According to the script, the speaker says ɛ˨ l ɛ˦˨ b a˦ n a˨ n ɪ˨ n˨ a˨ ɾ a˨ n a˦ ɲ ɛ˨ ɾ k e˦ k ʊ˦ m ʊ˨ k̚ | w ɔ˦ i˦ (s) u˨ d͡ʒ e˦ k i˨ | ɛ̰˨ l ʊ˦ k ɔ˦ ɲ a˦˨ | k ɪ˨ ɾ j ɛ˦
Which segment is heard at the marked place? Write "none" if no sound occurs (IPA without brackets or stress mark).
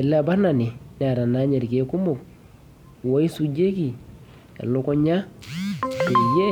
s